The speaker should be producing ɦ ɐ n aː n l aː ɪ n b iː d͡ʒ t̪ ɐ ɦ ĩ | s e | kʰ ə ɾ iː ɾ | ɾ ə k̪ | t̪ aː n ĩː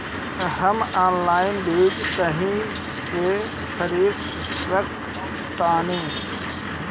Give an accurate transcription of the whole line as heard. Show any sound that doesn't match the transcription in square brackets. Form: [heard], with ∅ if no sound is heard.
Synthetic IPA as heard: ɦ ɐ [m] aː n l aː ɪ n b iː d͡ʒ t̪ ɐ ɦ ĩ | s e | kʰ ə ɾ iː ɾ | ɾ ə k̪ | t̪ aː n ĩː